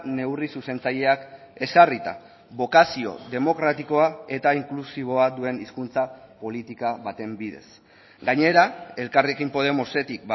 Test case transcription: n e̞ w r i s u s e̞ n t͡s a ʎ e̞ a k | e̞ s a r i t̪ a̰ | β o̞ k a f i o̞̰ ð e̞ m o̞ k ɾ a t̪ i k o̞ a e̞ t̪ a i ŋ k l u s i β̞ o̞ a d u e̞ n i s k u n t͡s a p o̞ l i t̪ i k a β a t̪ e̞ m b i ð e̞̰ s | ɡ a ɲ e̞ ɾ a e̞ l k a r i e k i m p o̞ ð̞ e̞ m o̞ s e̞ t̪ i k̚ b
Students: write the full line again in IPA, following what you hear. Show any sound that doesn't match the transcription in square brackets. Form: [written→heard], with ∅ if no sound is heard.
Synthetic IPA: n e̞ w r i s u s e̞ n t͡s a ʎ e̞ a k | e̞ s a r i t̪ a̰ | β o̞ k a [f→s] i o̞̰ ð e̞ m o̞ k ɾ a t̪ i k o̞ a e̞ t̪ a i ŋ k l u s i β̞ o̞ a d u e̞ n i s k u n t͡s a p o̞ l i t̪ i k a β a t̪ e̞ m b i ð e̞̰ s | ɡ a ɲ e̞ ɾ a e̞ l k a r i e k i m p o̞ ð̞ e̞ m o̞ s e̞ t̪ i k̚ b

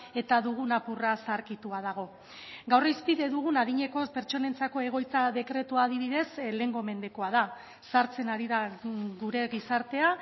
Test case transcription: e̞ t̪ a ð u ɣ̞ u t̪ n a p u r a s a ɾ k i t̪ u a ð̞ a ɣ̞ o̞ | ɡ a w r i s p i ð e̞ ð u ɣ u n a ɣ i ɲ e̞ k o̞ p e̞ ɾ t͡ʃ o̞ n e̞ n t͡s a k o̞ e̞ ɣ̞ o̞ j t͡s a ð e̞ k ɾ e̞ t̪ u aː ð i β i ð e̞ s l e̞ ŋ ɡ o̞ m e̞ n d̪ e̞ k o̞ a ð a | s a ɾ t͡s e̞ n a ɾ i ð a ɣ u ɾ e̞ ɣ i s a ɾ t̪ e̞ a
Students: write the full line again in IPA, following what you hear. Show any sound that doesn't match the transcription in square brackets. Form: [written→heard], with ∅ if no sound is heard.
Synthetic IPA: e̞ t̪ a ð u ɣ̞ u [t̪→∅] n a p u r a s a ɾ k i t̪ u a ð̞ a ɣ̞ o̞ | ɡ a w r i s p i ð e̞ ð u ɣ u n a [ɣ→ð] i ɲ e̞ k o̞ p e̞ ɾ t͡ʃ o̞ n e̞ n t͡s a k o̞ e̞ ɣ̞ o̞ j t͡s a ð e̞ k ɾ e̞ t̪ u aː ð i β i ð e̞ s l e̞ ŋ ɡ o̞ m e̞ n d̪ e̞ k o̞ a ð a | s a ɾ t͡s e̞ n a ɾ i ð a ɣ u ɾ e̞ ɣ i s a ɾ t̪ e̞ a

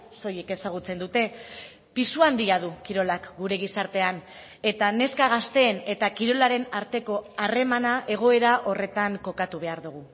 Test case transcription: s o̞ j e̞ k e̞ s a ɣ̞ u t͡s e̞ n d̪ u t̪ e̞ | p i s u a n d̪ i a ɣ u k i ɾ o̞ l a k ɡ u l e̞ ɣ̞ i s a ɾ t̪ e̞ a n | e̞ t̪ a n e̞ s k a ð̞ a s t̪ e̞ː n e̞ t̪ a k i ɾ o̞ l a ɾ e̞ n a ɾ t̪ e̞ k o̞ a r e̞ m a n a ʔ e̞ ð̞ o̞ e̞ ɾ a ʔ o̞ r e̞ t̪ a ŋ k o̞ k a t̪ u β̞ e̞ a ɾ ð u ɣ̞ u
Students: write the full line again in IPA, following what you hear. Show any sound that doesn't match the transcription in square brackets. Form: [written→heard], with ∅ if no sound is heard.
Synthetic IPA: s o̞ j e̞ k e̞ s a ɣ̞ u t͡s e̞ n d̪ u t̪ e̞ | p i s u a n d̪ i a [ɣ→ð] u k i ɾ o̞ l a k ɡ u [l→ɾ] e̞ ɣ̞ i s a ɾ t̪ e̞ a n | e̞ t̪ a n e̞ s k a [ð̞→ɣ̞] a s t̪ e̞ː n e̞ t̪ a k i ɾ o̞ l a ɾ e̞ n a ɾ t̪ e̞ k o̞ a r e̞ m a n a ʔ e̞ [ð̞→ɣ̞] o̞ e̞ ɾ a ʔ o̞ r e̞ t̪ a ŋ k o̞ k a t̪ u β̞ e̞ a ɾ ð u ɣ̞ u

